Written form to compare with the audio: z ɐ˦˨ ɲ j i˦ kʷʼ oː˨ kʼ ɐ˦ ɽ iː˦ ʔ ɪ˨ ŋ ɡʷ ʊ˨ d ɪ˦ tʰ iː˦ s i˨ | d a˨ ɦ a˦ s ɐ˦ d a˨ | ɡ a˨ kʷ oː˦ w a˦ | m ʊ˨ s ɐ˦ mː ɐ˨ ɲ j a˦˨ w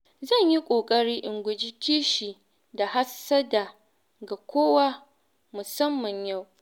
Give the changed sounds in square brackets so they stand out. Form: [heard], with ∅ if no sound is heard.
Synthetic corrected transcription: z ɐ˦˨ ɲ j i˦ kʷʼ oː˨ kʼ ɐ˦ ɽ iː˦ ʔ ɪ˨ ŋ ɡʷ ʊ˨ [d͡ʒ] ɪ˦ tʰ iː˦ [ʃ] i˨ | d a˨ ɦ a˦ s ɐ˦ d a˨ | ɡ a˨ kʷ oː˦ w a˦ | m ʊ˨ s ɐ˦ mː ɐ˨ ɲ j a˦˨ w

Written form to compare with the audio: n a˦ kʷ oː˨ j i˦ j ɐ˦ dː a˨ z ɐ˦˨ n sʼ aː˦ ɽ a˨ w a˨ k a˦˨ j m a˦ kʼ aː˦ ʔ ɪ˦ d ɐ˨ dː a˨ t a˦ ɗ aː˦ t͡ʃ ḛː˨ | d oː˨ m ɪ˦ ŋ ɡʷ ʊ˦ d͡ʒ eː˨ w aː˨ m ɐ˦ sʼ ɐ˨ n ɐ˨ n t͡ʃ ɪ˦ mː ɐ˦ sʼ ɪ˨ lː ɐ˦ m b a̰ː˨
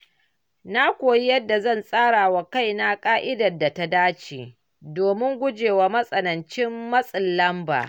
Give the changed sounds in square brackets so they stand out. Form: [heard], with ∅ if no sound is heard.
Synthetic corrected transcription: n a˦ kʷ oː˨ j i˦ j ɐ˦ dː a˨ z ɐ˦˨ n sʼ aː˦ ɽ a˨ w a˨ k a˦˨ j [n] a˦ kʼ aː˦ ʔ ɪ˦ d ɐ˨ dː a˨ t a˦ [d] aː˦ t͡ʃ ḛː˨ | d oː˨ m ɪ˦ ŋ ɡʷ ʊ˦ d͡ʒ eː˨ w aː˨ m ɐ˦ sʼ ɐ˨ n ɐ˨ n t͡ʃ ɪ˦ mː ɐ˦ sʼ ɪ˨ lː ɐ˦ m b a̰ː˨

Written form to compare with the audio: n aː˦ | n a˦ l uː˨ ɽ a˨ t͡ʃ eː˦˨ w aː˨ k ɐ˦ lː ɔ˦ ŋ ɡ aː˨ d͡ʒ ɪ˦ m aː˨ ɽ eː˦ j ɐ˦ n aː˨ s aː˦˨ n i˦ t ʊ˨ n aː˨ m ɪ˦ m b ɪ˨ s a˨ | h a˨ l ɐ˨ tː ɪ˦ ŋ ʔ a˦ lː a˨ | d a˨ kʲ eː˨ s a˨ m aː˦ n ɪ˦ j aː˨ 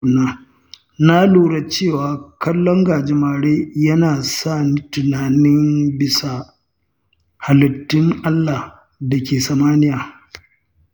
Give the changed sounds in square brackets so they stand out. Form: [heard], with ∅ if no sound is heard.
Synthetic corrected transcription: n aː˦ | n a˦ l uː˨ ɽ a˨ t͡ʃ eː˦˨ w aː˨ k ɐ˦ lː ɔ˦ ŋ ɡ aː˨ d͡ʒ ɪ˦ m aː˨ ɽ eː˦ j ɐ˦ n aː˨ s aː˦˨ n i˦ t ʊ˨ n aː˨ [n] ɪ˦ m b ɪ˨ s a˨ | h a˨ l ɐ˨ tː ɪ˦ ŋ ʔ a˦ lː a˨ | d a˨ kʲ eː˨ s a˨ m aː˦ n ɪ˦ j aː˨

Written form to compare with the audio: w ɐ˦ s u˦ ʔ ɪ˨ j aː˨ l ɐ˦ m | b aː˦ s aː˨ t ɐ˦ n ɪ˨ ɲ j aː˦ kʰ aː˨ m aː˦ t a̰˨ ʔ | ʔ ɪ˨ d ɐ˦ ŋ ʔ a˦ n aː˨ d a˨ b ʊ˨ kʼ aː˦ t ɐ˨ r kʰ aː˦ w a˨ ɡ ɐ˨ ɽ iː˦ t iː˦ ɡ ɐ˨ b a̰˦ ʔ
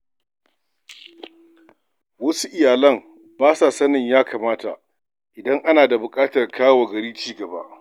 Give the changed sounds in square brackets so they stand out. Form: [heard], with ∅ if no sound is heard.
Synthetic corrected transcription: w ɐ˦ s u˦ ʔ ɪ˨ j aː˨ l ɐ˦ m | b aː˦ s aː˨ [s] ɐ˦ n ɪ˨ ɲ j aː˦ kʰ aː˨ m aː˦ t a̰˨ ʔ | ʔ ɪ˨ d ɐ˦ ŋ ʔ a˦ n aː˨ d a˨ b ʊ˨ kʼ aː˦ t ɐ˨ r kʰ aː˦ w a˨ ɡ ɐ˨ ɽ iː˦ [t͡ʃ] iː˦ ɡ ɐ˨ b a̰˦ ʔ

